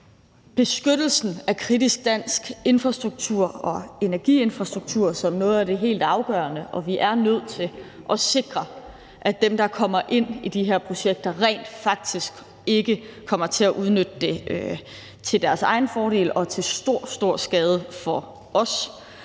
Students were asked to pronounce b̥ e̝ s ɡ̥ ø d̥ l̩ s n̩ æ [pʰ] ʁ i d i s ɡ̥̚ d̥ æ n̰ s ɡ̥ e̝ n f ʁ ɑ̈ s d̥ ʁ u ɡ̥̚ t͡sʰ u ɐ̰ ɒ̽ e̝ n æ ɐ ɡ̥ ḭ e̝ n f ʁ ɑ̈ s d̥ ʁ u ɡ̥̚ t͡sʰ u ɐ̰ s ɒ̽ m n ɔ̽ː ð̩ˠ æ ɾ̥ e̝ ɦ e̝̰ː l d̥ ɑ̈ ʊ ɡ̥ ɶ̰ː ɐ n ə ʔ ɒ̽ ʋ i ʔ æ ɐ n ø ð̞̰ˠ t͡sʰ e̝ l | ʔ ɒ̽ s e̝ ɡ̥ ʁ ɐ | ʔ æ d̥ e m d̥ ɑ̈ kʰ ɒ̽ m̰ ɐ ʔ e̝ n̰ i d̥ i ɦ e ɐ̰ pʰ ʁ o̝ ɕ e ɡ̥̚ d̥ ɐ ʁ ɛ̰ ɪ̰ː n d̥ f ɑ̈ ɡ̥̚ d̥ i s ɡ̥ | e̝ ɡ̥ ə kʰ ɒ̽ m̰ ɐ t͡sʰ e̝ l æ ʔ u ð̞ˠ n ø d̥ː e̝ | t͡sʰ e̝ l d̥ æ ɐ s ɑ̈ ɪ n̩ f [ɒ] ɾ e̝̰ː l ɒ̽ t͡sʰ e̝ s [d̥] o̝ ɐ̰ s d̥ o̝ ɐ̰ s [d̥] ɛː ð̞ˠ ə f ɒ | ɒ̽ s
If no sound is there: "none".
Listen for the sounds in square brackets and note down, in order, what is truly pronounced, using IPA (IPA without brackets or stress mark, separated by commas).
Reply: kʰ, ɒː, d̥, ɡ̥